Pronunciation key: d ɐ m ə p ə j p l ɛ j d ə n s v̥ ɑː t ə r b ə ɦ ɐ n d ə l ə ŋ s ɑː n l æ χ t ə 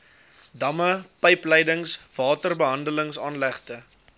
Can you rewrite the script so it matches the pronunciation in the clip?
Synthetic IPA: d ɐ m ə p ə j p l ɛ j d ə ŋ s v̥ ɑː t ə r b ə ɦ ɐ n d ə l ə ŋ s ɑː n l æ χ t ə